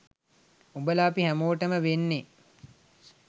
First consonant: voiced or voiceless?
voiced